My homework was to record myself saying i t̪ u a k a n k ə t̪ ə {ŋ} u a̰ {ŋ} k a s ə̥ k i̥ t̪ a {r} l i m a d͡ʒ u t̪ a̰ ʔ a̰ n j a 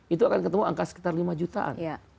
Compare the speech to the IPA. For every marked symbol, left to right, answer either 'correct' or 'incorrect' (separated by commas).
incorrect, correct, correct